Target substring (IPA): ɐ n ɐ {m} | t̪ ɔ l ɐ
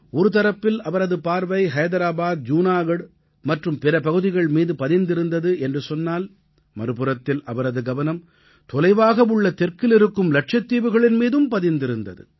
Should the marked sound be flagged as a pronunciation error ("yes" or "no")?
no